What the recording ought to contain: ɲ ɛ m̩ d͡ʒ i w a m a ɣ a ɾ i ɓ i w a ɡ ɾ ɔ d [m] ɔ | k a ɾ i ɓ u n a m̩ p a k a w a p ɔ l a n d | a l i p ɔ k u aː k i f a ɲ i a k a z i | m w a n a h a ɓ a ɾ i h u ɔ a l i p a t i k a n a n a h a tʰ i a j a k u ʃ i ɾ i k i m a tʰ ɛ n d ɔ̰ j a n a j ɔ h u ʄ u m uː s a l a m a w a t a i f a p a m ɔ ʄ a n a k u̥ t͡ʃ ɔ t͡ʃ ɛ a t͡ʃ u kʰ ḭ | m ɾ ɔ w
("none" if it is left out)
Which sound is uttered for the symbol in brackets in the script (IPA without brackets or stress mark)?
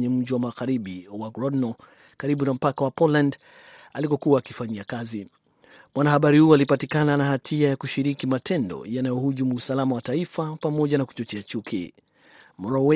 n